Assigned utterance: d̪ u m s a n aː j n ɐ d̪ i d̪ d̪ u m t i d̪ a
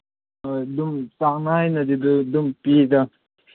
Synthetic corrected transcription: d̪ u m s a n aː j n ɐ d̪ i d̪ d̪ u m p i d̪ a